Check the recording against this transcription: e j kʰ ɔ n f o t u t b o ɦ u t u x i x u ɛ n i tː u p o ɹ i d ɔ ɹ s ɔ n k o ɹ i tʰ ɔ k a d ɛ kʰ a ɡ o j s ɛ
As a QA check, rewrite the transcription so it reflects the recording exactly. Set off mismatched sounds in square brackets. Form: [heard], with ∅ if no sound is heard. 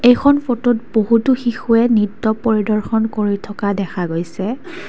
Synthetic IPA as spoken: e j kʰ ɔ n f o t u t b o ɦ u t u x i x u ɛ n i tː [ɔ] p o ɹ i d ɔ ɹ [x] ɔ n k o ɹ i tʰ ɔ k a d ɛ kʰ a ɡ o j s ɛ